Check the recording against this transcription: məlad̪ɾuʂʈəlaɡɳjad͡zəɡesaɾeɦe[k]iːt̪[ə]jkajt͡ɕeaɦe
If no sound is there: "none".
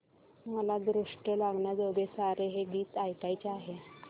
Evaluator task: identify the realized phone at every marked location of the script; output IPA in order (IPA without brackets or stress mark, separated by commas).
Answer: ɡ, a